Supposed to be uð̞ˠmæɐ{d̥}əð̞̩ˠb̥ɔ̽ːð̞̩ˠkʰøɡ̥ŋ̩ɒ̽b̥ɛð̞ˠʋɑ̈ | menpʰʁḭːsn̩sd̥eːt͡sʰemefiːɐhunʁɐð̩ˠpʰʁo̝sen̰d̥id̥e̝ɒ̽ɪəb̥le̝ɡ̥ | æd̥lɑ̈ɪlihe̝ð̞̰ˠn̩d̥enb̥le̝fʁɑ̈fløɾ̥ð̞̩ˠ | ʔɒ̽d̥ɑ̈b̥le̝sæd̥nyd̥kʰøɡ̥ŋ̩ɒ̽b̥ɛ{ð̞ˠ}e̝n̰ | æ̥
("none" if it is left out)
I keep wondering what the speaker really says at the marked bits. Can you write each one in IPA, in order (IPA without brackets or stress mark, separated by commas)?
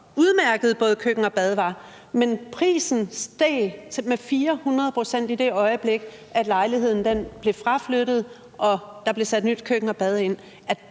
ɡ̥, ð̞ˠ